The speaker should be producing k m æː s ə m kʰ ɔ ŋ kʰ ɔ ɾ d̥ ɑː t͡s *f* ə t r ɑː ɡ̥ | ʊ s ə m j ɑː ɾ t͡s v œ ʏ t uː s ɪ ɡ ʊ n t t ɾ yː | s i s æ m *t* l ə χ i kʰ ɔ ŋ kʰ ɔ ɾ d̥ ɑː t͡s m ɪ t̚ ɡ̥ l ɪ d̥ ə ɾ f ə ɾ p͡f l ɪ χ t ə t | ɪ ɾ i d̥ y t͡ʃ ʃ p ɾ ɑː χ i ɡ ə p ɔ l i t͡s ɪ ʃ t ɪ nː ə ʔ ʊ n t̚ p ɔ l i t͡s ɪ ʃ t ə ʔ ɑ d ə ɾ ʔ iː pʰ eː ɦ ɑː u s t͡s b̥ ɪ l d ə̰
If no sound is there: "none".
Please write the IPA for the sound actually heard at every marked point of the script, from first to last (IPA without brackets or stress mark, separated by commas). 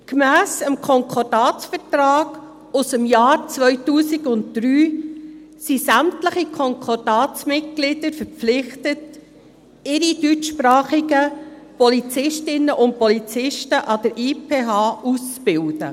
f, t